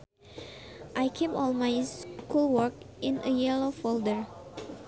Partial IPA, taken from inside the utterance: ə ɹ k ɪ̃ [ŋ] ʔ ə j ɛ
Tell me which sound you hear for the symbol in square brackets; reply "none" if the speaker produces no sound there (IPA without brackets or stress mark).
n